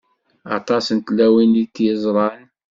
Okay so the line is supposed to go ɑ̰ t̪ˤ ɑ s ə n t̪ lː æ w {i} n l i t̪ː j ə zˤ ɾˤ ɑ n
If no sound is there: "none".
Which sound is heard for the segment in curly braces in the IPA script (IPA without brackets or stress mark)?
i